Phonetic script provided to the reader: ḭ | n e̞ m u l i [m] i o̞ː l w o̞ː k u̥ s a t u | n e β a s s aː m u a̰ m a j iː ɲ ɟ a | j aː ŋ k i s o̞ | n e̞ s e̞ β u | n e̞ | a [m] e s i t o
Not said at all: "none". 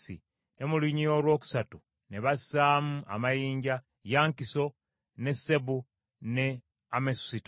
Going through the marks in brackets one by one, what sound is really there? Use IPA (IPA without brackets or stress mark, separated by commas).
ɲ, m